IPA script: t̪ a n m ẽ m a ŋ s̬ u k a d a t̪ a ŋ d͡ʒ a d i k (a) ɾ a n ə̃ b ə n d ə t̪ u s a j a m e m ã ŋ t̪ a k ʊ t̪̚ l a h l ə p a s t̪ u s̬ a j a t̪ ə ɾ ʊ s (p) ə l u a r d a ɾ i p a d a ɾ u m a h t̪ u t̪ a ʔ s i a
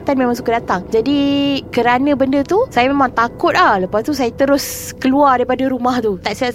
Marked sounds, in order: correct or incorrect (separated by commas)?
incorrect, incorrect